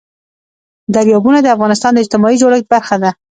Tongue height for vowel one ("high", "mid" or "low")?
low